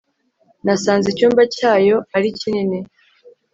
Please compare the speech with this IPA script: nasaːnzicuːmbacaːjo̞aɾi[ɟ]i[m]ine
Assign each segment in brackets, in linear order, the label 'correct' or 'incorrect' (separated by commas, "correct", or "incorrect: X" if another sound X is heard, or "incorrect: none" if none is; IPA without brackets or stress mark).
incorrect: c, incorrect: n